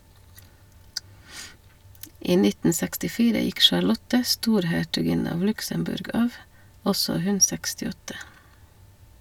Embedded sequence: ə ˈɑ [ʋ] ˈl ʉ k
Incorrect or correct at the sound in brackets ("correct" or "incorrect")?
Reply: correct